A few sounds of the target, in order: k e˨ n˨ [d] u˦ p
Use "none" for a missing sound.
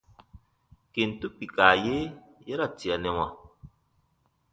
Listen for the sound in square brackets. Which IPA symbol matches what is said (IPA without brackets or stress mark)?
t